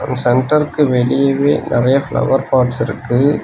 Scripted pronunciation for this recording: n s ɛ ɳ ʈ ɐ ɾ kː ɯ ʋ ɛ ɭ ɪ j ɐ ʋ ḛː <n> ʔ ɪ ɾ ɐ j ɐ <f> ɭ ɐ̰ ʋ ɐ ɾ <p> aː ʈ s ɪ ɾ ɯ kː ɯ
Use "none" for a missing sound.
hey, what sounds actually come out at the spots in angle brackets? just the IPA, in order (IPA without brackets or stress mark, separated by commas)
n, f, p